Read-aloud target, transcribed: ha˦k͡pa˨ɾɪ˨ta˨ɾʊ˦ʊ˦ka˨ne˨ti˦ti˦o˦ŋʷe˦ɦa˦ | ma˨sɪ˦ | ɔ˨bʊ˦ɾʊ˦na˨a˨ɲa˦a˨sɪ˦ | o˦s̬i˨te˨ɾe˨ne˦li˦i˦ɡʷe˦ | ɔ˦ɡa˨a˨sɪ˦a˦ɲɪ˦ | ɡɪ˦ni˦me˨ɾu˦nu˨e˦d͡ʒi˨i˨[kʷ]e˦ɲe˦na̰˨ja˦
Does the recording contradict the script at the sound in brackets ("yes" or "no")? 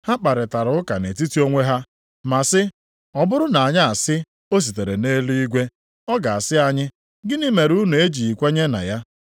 no